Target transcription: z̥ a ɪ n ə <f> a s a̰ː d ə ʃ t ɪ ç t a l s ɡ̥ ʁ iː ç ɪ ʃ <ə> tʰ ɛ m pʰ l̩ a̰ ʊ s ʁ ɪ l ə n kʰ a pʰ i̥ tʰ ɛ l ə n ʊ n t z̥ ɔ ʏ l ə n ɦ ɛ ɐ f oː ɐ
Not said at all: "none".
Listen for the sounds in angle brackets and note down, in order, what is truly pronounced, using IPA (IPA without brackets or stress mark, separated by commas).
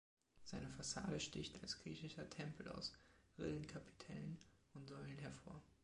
f, ɐ